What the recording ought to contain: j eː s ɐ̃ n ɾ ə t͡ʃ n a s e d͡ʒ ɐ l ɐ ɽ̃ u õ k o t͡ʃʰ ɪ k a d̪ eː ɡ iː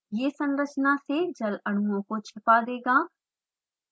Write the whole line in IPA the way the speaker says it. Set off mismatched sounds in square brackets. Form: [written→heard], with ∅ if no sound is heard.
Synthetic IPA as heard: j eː s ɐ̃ n ɾ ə t͡ʃ n a s e d͡ʒ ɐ l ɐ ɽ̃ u õ k o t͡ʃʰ ɪ [k→p] a d̪ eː ɡ [iː→aː]